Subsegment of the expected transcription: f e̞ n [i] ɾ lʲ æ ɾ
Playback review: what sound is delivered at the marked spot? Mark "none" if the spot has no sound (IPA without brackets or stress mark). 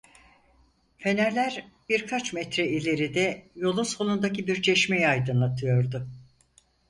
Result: æ